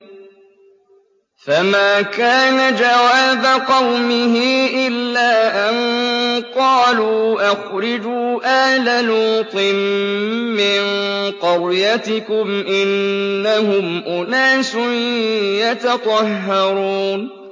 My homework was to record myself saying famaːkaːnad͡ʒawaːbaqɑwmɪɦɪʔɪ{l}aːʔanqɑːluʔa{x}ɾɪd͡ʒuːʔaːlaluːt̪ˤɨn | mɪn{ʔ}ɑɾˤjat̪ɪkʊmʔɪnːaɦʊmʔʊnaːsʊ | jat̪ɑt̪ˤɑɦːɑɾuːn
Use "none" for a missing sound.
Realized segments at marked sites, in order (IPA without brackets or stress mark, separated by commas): lː, x, q